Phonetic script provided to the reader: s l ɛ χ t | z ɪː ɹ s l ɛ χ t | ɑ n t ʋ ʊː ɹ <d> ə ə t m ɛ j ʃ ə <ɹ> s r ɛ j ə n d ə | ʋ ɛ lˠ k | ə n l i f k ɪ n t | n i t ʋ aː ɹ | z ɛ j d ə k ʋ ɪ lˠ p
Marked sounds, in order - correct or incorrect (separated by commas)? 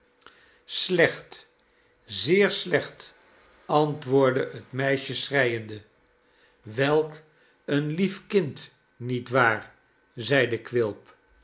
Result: correct, incorrect